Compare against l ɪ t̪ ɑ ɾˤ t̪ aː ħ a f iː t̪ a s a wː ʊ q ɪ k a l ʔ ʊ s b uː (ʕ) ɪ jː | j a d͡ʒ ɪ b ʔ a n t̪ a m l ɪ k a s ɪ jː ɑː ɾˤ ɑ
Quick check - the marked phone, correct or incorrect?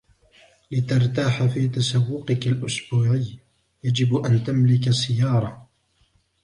correct